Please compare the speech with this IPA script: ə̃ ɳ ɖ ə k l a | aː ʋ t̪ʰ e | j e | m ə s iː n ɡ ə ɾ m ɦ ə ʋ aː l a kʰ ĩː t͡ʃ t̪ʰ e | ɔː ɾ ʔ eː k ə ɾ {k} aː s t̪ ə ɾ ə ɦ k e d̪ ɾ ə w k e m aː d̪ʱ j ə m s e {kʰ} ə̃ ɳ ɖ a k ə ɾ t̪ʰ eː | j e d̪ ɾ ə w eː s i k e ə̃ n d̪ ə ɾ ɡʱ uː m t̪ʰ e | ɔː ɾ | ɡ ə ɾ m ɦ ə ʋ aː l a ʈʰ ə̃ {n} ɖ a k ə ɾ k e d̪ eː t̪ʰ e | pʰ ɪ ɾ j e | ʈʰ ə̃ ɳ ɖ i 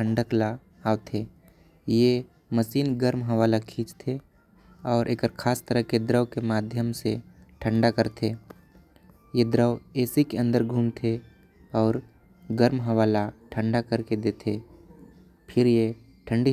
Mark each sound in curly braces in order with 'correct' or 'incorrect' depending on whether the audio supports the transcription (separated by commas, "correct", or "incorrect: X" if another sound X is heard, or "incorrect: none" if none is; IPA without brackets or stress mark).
incorrect: kʰ, incorrect: ʈʰ, incorrect: ɳ